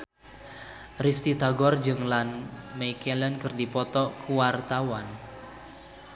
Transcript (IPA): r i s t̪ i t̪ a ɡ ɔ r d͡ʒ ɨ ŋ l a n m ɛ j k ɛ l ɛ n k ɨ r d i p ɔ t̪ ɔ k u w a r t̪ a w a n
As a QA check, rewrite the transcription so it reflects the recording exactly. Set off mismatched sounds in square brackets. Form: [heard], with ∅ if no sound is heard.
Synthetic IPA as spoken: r i s t̪ i t̪ a ɡ ɔ r d͡ʒ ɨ ŋ l a n m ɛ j k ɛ l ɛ n k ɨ r d i p ɔ t̪ ɔ k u w a r t̪ a w a n